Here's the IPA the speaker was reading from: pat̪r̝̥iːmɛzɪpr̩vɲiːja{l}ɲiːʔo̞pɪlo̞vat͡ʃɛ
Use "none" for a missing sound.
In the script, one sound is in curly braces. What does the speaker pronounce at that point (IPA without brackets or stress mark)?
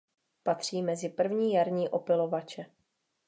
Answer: ɾ